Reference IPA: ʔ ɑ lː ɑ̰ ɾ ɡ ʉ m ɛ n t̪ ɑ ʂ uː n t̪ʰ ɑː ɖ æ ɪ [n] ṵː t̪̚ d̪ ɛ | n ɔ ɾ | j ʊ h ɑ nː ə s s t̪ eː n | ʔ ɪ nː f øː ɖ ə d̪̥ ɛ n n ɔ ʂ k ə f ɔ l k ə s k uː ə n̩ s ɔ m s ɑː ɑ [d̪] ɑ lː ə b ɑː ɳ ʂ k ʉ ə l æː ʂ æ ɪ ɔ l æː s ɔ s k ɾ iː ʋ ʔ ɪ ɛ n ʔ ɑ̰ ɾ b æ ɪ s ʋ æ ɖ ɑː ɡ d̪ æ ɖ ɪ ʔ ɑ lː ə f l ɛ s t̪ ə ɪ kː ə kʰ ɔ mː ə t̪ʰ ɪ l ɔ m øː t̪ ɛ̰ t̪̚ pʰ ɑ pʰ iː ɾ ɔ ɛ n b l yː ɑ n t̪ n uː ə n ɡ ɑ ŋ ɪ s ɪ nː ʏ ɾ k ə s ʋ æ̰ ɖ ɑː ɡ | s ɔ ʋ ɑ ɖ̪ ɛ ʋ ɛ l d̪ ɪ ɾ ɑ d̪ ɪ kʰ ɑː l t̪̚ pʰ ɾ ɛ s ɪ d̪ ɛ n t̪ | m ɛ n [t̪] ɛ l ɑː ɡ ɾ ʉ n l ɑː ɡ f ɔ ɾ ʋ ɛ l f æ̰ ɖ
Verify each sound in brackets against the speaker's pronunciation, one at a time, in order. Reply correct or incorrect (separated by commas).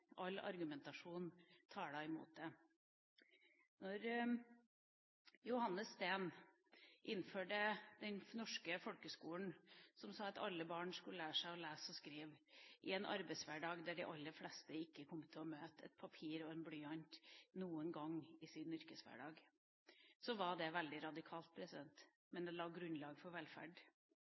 incorrect, incorrect, incorrect